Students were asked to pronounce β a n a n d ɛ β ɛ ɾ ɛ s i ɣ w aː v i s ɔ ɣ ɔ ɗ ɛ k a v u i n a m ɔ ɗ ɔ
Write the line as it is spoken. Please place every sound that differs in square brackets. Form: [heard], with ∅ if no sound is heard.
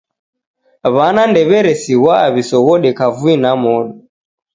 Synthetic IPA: β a n a n d ɛ β ɛ ɾ ɛ s i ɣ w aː [β] i s ɔ ɣ ɔ ɗ ɛ k a v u i n a m ɔ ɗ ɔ